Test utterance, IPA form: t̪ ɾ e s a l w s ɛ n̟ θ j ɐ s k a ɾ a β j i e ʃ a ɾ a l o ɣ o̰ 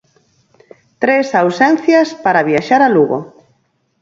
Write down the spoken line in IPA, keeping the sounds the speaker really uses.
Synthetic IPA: t̪ ɾ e s a w s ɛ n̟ θ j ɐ s p a ɾ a β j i a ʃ a ɾ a l u ɣ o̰